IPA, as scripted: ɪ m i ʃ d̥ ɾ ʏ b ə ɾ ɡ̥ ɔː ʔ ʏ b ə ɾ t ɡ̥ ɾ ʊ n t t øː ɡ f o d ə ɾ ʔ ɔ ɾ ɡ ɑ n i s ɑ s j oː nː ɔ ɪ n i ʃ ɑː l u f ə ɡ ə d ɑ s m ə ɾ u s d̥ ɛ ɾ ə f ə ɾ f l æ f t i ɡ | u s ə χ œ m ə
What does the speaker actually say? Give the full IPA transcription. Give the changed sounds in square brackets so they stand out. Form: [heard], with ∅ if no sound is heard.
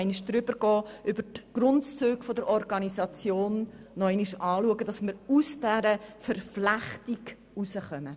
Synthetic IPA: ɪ [n] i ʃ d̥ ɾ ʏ b ə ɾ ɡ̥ ɔː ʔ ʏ b ə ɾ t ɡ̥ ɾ ʊ n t [t͡s] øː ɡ f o d ə ɾ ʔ ɔ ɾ ɡ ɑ n i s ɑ [t͡s] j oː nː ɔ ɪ n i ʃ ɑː l u [∅] ə ɡ ə d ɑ s m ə ɾ u s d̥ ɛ ɾ ə f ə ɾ f l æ [χ] t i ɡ | u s ə χ œ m ə